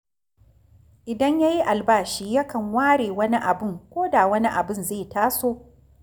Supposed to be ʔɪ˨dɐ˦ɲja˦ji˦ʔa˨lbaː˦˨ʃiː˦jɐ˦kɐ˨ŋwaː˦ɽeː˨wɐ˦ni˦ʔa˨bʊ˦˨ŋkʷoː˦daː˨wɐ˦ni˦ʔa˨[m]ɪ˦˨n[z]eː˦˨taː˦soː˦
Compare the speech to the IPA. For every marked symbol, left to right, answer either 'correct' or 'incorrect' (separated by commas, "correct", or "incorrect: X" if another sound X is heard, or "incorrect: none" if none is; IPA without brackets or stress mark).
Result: incorrect: b, correct